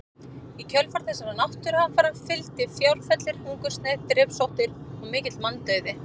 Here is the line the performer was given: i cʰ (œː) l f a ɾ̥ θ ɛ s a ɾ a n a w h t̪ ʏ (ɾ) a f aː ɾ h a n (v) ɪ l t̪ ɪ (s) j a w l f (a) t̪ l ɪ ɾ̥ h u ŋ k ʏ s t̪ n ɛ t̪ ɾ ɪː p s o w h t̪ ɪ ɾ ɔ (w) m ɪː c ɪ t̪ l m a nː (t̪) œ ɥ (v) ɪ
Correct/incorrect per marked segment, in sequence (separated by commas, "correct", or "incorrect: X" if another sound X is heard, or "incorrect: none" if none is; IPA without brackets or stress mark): incorrect: œ, correct, incorrect: f, incorrect: f, incorrect: ɛ, incorrect: ɣ, correct, incorrect: ð